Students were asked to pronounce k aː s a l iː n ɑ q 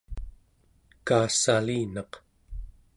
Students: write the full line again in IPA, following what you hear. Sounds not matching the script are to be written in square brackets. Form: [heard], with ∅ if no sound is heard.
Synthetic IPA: k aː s a l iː n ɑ q

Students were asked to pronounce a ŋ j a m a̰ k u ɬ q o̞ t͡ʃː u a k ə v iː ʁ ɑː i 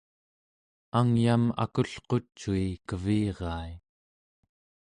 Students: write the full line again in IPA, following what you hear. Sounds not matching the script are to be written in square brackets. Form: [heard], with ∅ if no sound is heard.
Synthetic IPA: a ŋ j a m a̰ k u ɬ q o̞ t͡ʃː u [i] k ə v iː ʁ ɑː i

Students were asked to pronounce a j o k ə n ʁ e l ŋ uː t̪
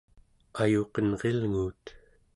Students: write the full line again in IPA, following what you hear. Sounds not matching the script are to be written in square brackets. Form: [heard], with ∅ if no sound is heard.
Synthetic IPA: a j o [q] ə n ʁ e l ŋ uː t̪

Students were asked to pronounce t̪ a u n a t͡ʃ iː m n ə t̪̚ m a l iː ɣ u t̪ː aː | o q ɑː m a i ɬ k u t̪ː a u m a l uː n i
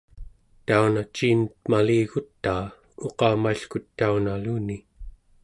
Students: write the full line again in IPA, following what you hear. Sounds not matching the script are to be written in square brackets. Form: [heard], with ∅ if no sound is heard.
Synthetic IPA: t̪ a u n a t͡ʃ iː [∅] n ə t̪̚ m a l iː ɣ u t̪ː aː | o q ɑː m a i ɬ k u t̪ː a u [n] a l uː n i

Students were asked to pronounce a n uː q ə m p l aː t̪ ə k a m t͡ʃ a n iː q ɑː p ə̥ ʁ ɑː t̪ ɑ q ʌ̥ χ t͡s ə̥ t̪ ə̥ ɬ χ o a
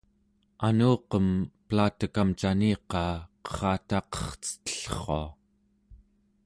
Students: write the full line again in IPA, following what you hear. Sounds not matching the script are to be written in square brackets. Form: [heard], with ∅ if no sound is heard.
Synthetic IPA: a n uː q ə m p l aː t̪ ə k a m t͡ʃ a n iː q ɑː [q] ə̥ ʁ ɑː t̪ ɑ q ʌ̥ χ t͡s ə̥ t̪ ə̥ ɬ χ o a

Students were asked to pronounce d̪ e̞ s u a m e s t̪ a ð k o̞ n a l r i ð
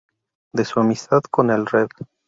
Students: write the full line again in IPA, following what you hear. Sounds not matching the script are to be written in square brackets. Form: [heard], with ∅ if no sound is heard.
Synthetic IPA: d̪ e̞ s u a m [i] s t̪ a ð k o̞ n [e] l r [e] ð

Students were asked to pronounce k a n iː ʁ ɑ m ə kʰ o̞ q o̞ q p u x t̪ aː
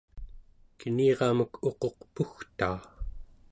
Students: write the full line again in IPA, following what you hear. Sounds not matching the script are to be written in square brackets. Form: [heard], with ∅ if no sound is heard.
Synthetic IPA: k [ə] n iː ʁ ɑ m ə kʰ o̞ q o̞ q p u x t̪ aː

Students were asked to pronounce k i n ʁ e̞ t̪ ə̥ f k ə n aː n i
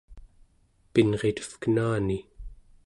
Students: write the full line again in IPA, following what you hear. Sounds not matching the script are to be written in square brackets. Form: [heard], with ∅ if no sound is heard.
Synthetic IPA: [p] i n ʁ e̞ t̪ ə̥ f k ə n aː n i

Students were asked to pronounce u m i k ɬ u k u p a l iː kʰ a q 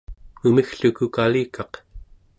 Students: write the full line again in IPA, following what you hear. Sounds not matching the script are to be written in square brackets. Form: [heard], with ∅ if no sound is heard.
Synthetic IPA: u m i [x] ɬ u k u [k] a l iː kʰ [ɑ] q

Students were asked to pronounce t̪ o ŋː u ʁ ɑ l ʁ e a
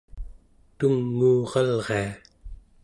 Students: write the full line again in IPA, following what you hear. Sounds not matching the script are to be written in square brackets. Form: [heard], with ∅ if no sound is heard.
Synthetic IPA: t̪ [u] ŋː [uː] ʁ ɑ l ʁ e a

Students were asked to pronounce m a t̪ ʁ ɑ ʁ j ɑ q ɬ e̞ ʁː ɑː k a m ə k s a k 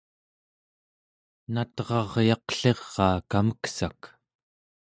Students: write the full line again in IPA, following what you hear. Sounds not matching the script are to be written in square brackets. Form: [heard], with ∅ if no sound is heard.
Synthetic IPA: [n] a t̪ ʁ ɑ ʁ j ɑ q ɬ e̞ ʁː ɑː k a m ə k s a k

